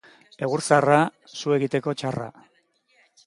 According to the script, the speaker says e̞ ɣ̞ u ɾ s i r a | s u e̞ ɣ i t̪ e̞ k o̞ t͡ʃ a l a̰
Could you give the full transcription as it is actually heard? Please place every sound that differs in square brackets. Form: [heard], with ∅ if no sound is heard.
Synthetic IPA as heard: e̞ ɣ̞ u ɾ s [a] r a | s u e̞ ɣ i t̪ e̞ k o̞ t͡ʃ a [r] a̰